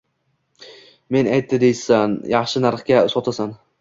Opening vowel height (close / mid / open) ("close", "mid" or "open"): mid